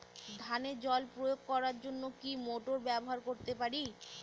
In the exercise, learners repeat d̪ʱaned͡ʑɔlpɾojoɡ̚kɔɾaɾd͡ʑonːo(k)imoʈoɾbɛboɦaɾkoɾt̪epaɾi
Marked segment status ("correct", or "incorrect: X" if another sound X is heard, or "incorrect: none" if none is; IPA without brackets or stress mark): correct